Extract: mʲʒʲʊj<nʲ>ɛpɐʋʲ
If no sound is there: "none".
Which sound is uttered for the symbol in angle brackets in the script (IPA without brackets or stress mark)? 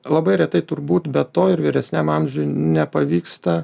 nʲ